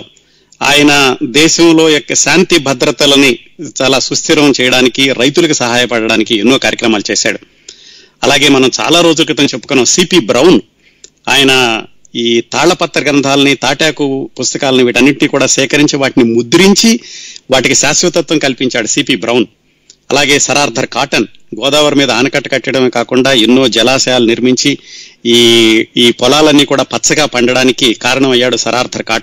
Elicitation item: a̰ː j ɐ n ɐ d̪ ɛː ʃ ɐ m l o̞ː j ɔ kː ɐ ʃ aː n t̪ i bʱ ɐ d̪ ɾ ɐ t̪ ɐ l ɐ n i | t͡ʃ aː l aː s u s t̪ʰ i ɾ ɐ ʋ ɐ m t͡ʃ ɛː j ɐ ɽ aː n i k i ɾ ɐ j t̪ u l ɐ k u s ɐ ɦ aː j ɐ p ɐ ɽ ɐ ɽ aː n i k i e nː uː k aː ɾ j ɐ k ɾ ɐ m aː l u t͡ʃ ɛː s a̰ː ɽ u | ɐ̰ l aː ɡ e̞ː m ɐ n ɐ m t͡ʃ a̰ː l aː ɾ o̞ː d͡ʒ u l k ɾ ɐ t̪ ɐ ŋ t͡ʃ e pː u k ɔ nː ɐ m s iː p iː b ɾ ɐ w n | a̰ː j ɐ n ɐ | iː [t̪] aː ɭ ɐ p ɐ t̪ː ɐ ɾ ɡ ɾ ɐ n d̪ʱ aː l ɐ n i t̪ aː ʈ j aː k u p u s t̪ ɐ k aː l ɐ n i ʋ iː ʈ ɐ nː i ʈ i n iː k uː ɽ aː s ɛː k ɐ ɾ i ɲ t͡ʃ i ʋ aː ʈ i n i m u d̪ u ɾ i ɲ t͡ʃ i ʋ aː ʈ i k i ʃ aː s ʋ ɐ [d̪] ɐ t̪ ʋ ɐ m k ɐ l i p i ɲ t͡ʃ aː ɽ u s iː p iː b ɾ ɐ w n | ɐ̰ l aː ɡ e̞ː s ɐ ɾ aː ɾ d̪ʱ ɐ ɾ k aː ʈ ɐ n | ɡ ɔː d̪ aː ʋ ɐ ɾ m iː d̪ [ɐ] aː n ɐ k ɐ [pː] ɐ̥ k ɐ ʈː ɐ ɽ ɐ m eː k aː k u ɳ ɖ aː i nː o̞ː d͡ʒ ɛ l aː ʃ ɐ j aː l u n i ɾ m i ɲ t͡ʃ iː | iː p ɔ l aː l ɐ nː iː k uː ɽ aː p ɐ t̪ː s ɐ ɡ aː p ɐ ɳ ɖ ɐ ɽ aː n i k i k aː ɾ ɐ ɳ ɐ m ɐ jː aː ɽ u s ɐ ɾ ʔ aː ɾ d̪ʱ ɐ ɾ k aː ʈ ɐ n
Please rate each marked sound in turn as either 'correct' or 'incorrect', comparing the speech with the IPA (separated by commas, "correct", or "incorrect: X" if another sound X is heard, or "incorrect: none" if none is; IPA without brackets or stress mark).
correct, incorrect: t̪, correct, incorrect: ʈː